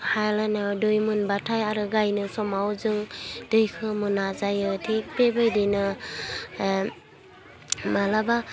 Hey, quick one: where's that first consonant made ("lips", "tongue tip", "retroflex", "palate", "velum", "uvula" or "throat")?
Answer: throat